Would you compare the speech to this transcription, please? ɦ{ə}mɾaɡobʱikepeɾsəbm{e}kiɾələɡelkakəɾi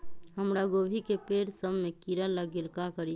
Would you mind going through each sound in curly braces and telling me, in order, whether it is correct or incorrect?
correct, correct

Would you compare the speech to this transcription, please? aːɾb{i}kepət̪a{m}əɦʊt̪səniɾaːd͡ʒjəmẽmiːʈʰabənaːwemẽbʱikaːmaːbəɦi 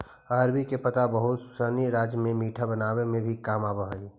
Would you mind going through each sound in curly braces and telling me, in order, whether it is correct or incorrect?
correct, incorrect: b

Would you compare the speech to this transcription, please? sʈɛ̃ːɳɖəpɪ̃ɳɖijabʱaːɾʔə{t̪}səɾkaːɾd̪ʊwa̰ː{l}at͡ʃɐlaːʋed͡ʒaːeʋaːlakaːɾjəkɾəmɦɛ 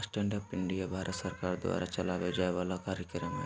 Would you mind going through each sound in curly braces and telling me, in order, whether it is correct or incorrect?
correct, incorrect: ɾ

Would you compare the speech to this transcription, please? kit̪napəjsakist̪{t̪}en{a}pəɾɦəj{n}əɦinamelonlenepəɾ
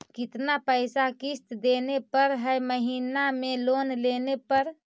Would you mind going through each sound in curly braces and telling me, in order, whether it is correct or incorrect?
incorrect: d̪, incorrect: e, incorrect: m

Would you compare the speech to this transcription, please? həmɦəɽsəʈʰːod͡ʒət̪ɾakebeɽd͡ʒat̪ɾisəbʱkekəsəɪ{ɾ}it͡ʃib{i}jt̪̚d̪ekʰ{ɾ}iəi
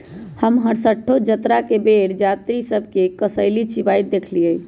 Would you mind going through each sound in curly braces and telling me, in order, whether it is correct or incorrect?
incorrect: l, incorrect: a, incorrect: l

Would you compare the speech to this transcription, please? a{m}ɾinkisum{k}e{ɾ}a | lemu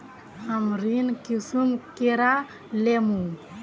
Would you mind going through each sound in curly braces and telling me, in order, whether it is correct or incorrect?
correct, correct, correct

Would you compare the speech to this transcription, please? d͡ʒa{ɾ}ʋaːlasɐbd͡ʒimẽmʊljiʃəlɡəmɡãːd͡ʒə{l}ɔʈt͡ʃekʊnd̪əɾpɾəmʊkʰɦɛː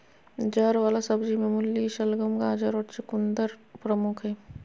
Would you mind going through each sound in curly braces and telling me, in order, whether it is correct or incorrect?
correct, incorrect: ɾ

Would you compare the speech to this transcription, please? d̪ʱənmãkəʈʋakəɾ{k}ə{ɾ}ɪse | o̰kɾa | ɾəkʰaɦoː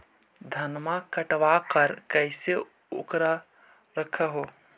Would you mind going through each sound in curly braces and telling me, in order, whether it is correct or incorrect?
correct, incorrect: none

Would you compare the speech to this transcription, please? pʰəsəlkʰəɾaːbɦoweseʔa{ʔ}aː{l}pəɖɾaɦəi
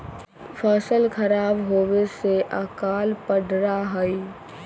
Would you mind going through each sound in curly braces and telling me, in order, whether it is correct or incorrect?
incorrect: k, correct

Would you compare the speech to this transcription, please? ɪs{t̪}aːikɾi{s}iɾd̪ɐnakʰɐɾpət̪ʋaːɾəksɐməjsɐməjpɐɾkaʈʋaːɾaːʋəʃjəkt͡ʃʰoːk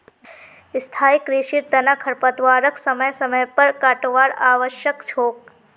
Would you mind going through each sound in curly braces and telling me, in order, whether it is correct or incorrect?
incorrect: t̪ʰ, incorrect: ʃ

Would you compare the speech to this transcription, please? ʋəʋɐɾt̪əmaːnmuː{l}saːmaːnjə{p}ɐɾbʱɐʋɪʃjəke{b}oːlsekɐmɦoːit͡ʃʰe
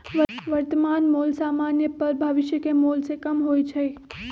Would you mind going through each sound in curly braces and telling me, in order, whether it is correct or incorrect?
correct, correct, incorrect: m

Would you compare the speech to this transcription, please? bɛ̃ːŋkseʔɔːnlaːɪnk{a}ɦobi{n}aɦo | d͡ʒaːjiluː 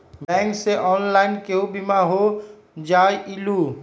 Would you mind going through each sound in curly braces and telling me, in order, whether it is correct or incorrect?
incorrect: e, incorrect: m

